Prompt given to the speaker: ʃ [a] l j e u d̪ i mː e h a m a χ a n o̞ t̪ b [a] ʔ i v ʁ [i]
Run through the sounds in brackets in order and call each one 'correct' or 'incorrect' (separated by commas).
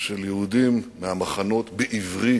incorrect, incorrect, correct